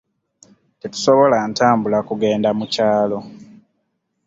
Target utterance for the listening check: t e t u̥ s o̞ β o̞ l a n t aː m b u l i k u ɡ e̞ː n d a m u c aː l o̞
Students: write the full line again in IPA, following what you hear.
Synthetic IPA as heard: t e t u̥ s o̞ β o̞ l a n t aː m b u l a k u ɡ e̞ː n d a m u c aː l o̞